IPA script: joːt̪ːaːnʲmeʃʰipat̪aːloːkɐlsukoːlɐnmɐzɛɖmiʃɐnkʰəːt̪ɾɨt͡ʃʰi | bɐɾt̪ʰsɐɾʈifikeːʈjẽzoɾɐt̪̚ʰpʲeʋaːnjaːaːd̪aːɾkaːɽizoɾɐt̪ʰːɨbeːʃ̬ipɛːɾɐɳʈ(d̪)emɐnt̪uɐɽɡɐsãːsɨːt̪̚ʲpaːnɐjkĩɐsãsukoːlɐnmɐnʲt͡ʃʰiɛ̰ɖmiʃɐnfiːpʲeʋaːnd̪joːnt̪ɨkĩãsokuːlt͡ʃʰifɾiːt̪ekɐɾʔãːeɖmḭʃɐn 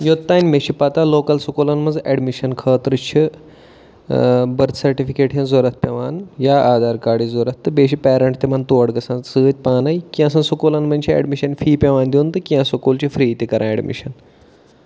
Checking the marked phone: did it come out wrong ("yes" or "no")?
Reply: yes